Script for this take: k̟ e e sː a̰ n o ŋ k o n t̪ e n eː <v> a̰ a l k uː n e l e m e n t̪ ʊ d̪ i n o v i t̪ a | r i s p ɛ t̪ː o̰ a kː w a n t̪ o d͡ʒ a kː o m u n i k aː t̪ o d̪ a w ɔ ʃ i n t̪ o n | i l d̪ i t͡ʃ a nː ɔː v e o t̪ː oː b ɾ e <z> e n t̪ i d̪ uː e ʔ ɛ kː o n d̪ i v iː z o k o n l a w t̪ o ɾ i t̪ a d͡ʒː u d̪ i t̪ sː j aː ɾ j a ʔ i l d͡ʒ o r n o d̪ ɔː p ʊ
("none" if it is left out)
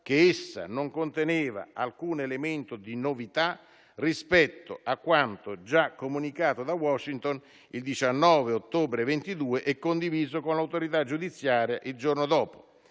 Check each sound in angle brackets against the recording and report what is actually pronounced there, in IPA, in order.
v, v

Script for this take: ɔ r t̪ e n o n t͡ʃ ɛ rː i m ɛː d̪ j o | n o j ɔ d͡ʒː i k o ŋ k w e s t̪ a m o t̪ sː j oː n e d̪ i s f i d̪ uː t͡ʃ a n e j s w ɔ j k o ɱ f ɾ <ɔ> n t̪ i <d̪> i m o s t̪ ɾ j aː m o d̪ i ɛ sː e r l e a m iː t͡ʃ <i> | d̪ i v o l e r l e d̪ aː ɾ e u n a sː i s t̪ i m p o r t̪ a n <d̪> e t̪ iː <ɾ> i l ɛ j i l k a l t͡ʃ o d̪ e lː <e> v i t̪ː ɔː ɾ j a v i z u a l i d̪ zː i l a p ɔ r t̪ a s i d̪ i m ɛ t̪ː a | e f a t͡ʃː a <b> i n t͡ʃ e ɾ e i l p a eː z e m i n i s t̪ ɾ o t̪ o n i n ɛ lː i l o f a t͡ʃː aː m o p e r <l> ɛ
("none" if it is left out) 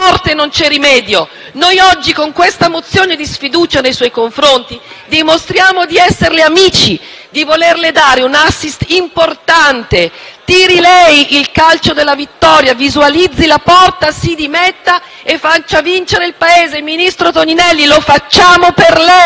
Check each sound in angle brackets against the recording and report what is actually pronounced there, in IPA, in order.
o, d̪, i, t̪, ɾ, a, v, l

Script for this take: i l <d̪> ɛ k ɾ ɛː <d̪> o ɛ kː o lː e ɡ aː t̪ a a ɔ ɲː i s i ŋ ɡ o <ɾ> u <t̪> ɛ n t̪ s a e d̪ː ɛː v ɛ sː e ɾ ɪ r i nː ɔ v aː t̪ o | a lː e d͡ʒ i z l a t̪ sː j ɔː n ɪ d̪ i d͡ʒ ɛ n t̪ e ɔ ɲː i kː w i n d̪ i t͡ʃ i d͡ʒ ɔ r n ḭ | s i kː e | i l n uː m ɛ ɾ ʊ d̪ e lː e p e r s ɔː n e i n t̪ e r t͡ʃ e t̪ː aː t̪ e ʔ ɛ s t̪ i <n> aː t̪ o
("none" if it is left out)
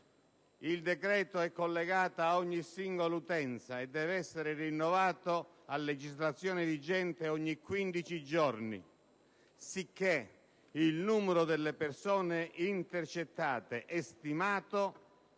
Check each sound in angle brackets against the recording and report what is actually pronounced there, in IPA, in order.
d̪, t̪, l, t̪, m

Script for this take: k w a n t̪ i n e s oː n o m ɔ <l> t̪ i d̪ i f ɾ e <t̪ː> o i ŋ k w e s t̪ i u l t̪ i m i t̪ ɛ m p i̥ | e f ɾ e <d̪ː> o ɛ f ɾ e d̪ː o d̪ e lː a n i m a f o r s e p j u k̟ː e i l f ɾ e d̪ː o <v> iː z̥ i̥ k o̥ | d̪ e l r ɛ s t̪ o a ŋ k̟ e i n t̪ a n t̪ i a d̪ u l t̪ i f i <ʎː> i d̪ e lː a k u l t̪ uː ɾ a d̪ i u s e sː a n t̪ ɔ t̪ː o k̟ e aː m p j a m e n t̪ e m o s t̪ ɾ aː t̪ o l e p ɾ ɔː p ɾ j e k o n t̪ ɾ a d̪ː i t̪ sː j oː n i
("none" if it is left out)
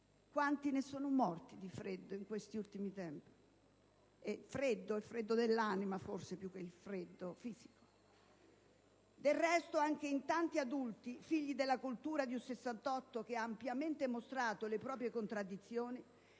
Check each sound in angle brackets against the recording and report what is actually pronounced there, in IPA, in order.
r, d̪ː, d̪ː, f, ʎː

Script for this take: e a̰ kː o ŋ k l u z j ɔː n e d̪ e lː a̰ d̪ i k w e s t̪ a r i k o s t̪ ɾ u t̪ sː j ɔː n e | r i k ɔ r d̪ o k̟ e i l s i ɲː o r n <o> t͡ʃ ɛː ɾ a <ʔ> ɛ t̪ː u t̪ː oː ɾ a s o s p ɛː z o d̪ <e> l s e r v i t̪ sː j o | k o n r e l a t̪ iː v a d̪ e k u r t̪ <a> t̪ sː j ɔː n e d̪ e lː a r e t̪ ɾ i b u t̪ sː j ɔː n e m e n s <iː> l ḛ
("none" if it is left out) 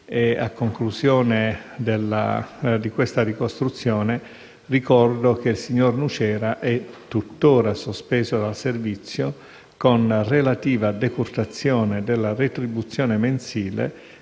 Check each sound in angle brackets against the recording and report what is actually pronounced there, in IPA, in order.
u, ʔ, a, a, iː

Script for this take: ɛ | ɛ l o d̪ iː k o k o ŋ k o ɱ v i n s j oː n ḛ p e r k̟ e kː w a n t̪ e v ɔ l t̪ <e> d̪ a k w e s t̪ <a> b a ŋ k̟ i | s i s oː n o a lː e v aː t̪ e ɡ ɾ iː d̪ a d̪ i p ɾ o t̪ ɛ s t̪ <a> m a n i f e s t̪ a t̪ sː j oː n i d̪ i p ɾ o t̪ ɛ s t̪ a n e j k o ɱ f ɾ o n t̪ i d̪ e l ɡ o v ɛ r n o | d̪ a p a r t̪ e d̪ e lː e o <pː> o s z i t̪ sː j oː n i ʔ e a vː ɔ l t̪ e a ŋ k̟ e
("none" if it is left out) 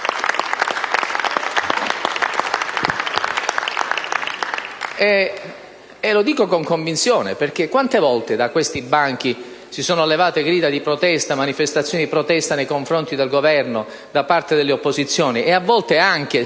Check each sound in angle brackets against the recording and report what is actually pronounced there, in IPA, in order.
e, i, a, pː

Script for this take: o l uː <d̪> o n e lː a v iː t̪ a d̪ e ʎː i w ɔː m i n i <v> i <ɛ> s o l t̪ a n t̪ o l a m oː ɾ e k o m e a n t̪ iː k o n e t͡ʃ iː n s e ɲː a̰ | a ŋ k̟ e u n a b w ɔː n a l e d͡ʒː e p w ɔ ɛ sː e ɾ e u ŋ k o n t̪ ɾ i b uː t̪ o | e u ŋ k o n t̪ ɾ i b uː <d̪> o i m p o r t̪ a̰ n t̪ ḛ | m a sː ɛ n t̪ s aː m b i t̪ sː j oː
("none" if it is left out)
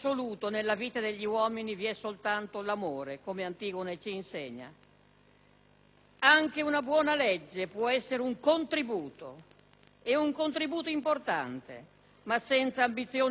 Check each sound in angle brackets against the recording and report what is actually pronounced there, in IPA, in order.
t̪, v, ɛ, t̪

